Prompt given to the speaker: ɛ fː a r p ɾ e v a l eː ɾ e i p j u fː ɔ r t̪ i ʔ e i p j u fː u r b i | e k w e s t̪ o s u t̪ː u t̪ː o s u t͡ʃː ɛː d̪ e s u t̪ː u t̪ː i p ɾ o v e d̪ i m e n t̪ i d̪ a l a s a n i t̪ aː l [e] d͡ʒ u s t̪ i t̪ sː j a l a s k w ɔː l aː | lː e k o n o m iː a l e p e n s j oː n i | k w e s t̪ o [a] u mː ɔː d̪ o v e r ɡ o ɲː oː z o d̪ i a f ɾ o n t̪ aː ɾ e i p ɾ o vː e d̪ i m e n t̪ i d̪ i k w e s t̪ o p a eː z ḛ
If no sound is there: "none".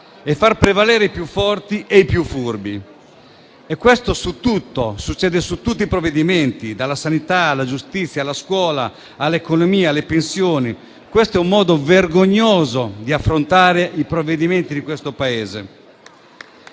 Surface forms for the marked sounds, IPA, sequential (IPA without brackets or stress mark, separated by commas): a, ɛ